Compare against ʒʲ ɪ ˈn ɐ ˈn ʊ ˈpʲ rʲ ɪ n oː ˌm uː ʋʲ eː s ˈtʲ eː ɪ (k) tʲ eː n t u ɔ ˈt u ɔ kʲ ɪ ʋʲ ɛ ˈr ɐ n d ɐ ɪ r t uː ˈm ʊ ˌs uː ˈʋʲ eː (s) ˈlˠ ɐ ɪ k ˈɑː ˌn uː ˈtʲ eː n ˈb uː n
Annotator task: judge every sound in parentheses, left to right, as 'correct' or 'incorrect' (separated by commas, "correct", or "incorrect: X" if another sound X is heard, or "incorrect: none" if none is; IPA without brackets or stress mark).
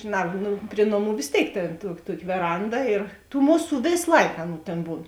correct, correct